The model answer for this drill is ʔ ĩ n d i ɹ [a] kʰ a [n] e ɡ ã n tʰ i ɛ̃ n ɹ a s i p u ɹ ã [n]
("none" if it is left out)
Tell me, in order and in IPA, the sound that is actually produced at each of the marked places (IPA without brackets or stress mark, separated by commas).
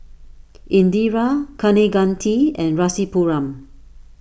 a, n, m